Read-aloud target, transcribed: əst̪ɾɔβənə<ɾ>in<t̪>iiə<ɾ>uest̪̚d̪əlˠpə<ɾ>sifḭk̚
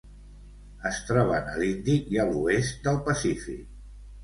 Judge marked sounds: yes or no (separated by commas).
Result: no, no, no, no